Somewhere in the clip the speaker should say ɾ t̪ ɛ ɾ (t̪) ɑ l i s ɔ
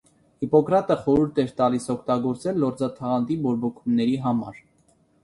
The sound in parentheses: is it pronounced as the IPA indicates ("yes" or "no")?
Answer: yes